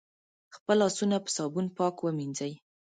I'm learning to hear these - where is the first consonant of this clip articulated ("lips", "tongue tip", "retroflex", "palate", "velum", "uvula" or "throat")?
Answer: velum